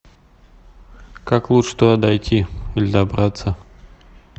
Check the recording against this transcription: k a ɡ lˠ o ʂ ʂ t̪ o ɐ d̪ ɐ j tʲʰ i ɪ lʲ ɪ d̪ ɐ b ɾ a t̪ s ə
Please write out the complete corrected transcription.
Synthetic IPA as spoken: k a k lˠ u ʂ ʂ t̪ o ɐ d̪ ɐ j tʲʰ i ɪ lʲ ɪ d̪ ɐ b ɾ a t̪ s ə